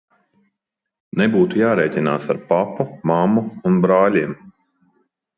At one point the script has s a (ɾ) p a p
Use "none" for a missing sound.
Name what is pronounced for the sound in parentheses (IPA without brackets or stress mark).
ɾ